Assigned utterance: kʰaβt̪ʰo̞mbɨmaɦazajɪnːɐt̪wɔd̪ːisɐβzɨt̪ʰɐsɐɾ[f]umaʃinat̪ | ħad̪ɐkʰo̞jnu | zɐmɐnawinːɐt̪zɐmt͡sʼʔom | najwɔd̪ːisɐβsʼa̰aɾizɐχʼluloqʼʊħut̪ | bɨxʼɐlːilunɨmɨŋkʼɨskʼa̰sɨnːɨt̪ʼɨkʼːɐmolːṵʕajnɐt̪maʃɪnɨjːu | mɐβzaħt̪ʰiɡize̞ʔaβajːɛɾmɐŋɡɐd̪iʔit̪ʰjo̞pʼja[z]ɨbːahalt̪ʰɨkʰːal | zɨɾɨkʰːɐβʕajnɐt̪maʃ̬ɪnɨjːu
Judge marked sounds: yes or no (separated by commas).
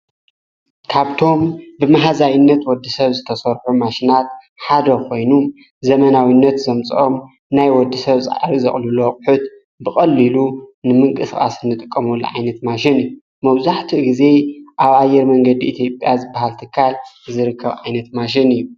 no, yes